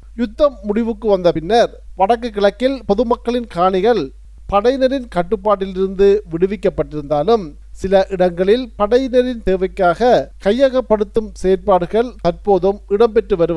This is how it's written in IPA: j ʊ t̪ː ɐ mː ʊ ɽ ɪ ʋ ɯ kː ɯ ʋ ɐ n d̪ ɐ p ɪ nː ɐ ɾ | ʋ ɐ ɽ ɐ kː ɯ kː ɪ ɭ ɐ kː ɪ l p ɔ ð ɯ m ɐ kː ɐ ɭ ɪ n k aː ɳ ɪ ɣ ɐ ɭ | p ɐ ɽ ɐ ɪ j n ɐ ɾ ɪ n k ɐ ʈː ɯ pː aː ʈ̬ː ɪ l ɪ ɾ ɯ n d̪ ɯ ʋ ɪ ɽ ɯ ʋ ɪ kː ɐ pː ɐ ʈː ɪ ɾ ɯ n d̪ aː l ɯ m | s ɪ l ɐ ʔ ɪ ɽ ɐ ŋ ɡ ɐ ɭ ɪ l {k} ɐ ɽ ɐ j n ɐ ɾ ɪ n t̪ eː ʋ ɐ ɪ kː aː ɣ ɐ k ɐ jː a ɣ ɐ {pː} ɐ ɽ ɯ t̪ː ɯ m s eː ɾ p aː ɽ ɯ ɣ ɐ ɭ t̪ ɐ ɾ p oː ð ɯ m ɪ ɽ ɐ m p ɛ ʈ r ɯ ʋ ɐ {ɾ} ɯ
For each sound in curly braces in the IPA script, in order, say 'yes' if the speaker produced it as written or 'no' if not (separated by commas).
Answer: no, yes, yes